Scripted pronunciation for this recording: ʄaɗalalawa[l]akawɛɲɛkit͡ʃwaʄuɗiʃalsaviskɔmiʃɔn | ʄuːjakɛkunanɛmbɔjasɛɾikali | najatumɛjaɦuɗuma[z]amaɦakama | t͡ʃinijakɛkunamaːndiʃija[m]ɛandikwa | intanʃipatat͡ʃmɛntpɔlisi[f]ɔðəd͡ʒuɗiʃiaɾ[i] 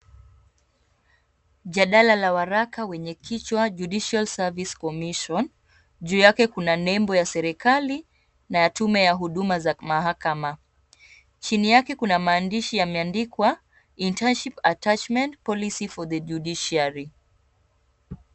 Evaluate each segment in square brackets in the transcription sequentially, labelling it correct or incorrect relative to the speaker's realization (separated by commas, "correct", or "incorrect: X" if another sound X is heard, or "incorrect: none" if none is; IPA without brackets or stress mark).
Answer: incorrect: ɾ, correct, correct, correct, correct